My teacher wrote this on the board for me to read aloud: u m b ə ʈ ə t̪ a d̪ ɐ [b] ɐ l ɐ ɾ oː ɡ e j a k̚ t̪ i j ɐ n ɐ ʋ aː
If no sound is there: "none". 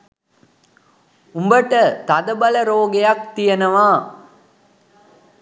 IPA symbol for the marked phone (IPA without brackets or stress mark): b